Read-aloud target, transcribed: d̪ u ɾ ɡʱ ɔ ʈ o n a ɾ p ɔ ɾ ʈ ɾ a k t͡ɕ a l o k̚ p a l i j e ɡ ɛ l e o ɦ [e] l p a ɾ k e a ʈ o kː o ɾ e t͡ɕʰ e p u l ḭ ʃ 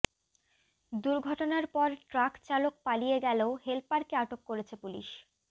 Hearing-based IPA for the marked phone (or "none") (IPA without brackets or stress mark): e